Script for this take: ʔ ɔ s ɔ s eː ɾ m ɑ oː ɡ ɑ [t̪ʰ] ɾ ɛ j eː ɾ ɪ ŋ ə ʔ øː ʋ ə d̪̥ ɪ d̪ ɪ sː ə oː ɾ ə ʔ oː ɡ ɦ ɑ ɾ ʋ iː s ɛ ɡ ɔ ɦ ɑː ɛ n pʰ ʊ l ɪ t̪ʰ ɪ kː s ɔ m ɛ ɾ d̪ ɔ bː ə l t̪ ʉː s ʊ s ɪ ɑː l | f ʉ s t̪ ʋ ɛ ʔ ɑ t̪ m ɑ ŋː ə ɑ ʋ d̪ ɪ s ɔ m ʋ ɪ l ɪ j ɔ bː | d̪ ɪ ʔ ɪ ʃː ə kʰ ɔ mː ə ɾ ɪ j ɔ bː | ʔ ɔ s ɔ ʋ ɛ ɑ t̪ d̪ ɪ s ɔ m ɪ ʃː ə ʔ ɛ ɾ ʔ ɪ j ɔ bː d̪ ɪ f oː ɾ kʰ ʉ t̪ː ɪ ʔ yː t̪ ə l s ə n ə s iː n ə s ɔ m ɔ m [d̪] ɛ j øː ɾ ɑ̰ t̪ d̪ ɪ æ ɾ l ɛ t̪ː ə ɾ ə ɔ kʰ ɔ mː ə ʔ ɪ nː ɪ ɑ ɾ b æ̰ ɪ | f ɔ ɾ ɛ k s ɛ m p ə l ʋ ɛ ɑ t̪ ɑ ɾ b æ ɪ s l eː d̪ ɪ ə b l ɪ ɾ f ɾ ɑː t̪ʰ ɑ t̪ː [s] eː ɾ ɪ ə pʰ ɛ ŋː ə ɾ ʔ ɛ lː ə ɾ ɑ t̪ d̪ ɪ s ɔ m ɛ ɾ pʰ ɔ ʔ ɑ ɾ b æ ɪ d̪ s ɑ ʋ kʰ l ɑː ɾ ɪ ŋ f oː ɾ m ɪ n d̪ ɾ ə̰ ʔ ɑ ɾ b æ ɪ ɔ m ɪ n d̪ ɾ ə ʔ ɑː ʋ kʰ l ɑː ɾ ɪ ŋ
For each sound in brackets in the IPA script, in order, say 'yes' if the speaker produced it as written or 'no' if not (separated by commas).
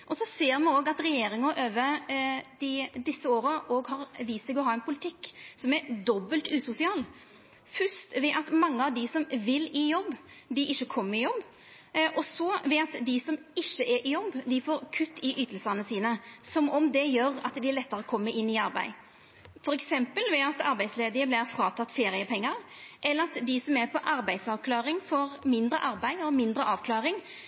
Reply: no, yes, no